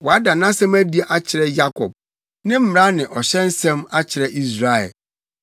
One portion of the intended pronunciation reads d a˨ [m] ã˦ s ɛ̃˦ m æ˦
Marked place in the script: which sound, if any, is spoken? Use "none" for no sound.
n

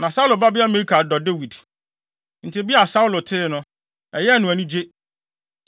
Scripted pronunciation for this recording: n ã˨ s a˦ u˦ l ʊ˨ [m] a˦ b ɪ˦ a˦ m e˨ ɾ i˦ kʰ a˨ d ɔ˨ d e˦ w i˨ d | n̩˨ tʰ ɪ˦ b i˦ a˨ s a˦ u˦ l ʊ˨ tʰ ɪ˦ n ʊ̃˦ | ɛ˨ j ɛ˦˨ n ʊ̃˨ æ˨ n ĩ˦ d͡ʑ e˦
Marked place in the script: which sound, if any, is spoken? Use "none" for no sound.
b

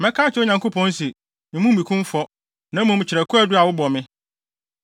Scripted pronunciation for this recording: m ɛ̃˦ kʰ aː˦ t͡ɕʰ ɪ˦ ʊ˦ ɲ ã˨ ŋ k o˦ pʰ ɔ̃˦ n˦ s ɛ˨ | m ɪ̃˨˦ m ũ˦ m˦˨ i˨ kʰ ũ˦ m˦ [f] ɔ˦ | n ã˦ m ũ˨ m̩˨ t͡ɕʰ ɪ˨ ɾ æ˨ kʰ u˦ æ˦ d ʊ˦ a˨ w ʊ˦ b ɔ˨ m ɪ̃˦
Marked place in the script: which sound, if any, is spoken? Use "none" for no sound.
f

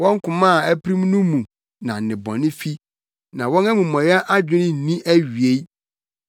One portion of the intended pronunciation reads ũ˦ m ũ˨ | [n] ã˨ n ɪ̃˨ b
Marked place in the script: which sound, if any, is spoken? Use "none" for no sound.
n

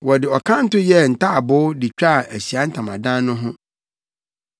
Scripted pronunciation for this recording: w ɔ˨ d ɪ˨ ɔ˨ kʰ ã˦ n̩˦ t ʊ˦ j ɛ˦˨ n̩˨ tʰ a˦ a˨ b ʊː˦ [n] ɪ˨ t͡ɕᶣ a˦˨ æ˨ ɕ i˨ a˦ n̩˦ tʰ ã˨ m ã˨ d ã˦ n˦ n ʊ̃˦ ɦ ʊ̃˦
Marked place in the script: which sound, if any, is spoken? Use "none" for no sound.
d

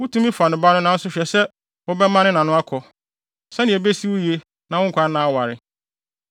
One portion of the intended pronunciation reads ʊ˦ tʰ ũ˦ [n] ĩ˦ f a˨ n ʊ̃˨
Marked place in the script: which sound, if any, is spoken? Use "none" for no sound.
m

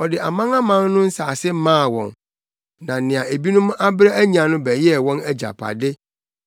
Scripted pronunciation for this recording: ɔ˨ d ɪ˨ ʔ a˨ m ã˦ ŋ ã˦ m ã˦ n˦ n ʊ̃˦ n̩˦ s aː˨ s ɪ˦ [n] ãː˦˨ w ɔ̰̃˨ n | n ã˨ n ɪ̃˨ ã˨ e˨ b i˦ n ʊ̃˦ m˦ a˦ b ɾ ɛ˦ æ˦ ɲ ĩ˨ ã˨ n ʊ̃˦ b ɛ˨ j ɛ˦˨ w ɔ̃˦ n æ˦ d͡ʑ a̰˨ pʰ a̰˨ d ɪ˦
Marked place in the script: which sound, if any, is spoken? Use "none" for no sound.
m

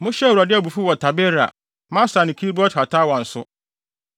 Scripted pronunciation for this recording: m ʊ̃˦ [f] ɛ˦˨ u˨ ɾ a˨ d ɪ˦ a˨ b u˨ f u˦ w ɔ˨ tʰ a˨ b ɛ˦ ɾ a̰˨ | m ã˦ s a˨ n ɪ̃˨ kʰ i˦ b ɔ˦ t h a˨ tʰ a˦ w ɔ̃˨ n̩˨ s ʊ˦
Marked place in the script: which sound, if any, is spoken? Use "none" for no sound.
ɕ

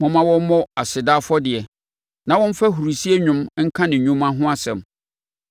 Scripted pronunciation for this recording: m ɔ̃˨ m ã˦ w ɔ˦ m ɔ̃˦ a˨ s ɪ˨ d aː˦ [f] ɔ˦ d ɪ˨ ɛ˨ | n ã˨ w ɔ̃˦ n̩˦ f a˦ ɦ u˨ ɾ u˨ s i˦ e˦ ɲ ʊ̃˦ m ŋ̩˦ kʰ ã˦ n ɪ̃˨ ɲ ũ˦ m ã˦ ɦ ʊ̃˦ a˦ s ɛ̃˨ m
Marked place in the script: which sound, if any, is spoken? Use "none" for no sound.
f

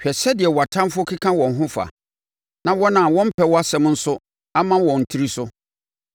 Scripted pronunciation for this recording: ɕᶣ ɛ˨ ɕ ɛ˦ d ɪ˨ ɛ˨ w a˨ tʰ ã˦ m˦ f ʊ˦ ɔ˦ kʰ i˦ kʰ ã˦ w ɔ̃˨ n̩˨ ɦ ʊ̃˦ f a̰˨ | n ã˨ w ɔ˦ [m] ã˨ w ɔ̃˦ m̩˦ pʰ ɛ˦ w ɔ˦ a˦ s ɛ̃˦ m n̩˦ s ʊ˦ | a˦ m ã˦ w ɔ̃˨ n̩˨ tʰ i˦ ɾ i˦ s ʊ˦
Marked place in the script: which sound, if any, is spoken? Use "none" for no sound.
n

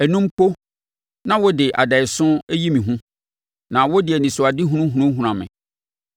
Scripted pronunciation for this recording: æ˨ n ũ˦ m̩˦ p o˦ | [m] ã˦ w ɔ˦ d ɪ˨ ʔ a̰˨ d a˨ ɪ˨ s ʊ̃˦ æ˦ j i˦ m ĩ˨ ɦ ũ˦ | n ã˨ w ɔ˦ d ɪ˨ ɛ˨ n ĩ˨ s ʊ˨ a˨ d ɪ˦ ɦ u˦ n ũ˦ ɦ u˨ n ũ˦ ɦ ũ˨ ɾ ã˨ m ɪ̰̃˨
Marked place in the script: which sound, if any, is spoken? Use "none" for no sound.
n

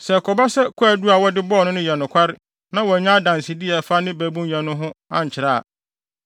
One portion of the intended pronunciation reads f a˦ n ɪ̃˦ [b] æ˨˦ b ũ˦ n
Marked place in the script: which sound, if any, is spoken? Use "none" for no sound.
b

